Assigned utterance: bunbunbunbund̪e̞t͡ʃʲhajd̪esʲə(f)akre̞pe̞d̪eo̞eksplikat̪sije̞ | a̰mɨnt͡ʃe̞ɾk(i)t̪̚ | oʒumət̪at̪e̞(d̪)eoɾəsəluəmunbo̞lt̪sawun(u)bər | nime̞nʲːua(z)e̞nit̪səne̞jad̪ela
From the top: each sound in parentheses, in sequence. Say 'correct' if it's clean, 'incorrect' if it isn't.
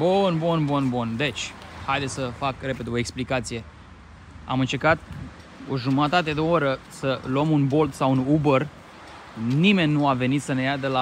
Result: correct, incorrect: a, correct, correct, incorrect: v

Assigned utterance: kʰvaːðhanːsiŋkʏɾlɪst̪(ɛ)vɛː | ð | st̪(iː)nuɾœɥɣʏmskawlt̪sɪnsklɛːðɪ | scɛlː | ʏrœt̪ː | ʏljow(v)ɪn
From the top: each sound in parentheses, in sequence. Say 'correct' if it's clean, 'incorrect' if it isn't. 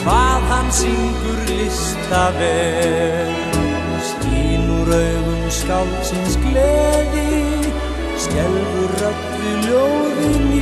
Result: incorrect: a, correct, incorrect: ð

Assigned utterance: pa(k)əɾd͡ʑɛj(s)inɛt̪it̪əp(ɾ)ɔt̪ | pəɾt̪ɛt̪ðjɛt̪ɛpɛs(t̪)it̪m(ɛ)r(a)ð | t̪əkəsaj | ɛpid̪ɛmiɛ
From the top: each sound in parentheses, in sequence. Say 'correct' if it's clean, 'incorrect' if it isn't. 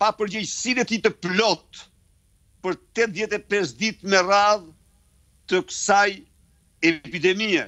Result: incorrect: p, correct, incorrect: l, incorrect: d̪, correct, correct

